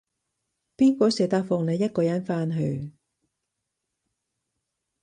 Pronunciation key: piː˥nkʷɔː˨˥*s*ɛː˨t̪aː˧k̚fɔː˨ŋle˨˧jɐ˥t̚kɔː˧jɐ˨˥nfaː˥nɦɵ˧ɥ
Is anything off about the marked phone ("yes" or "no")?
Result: no